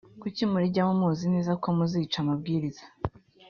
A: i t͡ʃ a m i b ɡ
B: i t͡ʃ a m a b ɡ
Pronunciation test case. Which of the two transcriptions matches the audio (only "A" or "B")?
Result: B